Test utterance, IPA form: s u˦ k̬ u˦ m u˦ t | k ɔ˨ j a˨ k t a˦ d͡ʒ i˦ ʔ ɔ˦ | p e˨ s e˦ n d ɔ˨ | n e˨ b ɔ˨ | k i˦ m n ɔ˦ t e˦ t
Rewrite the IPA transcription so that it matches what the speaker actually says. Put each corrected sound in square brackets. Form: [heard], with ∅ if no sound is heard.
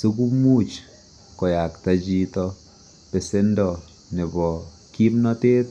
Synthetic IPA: s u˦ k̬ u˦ m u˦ [t͡ʃ] | k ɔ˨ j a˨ k t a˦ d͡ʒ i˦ [t] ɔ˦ | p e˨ s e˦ n d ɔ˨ | n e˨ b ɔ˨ | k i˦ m n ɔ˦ t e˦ t